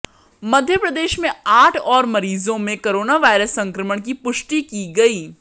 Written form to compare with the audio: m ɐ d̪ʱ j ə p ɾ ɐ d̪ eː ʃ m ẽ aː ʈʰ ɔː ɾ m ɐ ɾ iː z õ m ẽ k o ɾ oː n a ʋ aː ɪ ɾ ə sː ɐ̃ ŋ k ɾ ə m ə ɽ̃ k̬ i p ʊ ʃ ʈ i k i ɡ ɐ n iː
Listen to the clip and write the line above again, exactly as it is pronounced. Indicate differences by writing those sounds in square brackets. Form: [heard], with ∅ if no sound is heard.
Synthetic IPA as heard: m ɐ d̪ʱ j ə p ɾ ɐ d̪ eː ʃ m ẽ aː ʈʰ ɔː ɾ m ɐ ɾ iː z õ m ẽ k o ɾ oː n a ʋ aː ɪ ɾ ə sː ɐ̃ ŋ k ɾ ə m ə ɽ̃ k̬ i p ʊ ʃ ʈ i k i ɡ ɐ [∅] iː